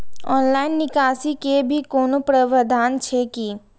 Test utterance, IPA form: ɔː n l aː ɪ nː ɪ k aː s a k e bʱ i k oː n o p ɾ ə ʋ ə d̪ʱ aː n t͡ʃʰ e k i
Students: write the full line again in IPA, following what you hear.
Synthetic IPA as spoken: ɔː n l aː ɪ nː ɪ k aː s i k e bʱ i k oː n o p ɾ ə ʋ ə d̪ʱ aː n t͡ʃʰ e k i